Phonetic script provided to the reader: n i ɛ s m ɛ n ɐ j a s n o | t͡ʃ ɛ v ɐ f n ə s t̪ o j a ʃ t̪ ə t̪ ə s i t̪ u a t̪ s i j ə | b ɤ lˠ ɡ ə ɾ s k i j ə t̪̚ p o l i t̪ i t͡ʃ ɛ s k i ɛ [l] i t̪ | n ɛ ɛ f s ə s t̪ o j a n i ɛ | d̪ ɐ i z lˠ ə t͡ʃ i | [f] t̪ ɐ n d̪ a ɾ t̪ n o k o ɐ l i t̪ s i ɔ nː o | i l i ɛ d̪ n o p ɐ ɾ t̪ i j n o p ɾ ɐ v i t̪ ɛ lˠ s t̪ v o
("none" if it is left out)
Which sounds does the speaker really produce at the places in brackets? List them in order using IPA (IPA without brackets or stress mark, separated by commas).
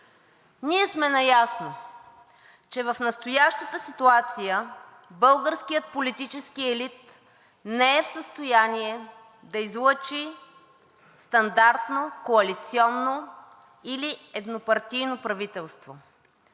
l, s